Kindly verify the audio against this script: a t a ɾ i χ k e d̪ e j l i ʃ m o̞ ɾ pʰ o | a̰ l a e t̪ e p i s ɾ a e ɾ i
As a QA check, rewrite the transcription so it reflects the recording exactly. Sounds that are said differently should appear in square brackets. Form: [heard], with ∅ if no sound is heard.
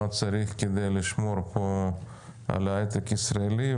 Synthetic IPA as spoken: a [t͡s] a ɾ i χ k e d̪ e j l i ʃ m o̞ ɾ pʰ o | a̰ l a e t̪ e [k] i s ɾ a e [l] i